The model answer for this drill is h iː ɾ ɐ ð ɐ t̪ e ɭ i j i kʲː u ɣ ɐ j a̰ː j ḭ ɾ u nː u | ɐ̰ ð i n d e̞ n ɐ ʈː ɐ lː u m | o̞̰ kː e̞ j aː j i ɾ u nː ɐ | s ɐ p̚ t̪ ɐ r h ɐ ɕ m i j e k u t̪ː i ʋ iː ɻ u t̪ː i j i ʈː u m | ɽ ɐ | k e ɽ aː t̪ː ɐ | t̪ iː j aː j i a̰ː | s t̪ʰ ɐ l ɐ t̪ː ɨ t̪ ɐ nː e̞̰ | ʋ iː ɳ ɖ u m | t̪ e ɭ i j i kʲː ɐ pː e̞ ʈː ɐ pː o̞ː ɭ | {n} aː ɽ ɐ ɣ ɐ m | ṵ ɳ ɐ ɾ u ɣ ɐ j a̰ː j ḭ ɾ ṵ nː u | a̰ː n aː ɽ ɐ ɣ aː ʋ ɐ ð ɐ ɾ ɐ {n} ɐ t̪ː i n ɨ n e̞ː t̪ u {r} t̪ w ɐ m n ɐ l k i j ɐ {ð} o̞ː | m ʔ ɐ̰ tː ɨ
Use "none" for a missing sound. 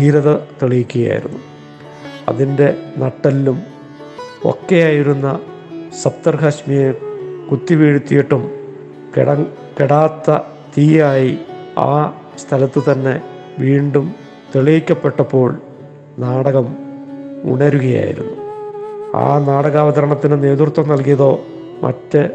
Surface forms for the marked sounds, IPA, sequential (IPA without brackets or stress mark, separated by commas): n, ɳ, r, ð